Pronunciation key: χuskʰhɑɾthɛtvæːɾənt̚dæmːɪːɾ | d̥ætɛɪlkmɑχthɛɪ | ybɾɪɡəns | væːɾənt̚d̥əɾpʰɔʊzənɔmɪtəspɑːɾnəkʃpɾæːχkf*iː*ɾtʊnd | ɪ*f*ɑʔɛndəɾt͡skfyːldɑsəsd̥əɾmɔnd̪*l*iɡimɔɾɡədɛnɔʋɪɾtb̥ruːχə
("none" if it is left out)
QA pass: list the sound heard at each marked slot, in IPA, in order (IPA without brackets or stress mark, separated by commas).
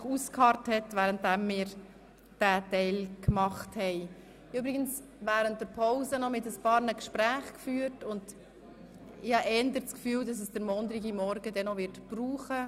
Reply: yː, h, ɾ